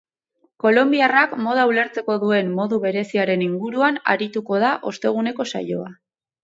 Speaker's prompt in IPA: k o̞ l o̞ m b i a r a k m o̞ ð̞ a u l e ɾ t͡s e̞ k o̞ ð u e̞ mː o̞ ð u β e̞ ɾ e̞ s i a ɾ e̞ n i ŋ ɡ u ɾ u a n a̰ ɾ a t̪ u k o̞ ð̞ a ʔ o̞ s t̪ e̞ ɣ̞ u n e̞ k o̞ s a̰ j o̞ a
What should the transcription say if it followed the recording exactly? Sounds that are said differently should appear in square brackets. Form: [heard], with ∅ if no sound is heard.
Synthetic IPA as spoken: k o̞ l o̞ m b i a r a k m o̞ ð̞ a u l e ɾ t͡s e̞ k o̞ ð u e̞ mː o̞ ð u β e̞ ɾ e̞ s i a ɾ e̞ n i ŋ ɡ u ɾ u a n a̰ ɾ [i] t̪ u k o̞ ð̞ a ʔ o̞ s t̪ e̞ ɣ̞ u n e̞ k o̞ s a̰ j o̞ a